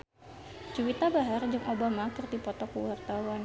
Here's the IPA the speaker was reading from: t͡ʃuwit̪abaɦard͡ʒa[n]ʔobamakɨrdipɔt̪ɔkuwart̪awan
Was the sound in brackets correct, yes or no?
no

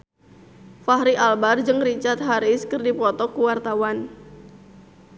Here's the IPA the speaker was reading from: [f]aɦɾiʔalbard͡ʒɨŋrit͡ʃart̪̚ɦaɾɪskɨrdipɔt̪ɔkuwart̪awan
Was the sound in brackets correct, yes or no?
yes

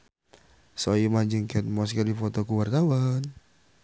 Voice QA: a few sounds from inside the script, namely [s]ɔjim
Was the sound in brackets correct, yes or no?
yes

